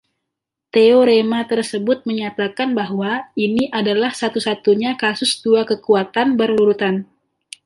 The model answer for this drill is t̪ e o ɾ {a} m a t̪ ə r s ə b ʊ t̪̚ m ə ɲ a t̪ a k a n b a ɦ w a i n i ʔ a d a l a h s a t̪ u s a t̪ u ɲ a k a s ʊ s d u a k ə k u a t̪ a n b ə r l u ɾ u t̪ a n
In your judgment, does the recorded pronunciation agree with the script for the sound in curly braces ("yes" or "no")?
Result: no